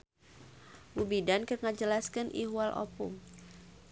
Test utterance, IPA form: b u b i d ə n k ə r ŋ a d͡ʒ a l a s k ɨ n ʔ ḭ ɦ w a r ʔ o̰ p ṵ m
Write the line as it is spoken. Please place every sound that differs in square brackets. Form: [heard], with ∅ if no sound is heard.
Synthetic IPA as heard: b u b i d [a] n k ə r ŋ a d͡ʒ [ə] l a s k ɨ n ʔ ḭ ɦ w a [l] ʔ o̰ p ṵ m